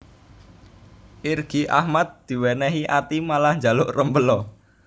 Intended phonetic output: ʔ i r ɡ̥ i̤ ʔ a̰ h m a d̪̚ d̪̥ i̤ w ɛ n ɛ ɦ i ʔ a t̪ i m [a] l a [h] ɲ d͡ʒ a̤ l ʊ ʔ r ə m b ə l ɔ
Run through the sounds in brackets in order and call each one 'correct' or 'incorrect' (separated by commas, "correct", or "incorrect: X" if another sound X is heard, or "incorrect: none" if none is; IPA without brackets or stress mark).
correct, correct